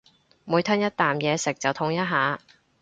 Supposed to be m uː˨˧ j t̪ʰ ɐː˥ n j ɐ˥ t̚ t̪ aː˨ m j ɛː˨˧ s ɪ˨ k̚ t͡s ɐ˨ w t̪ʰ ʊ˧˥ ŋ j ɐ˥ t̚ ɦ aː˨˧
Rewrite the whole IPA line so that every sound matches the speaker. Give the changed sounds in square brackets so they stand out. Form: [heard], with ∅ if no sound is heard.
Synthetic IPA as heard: m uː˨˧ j t̪ʰ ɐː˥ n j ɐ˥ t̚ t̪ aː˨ m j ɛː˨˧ s ɪ˨ k̚ t͡s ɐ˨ w t̪ʰ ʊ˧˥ ŋ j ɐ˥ t̚ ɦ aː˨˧